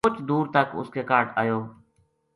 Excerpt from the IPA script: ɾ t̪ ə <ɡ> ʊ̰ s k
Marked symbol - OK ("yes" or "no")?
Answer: no